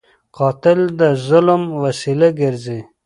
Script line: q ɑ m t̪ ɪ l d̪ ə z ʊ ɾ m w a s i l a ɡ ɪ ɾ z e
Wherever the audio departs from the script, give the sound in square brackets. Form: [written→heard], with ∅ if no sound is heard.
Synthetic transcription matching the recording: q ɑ [m→∅] t̪ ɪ l d̪ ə z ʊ [ɾ→l] m w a s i l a ɡ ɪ ɾ z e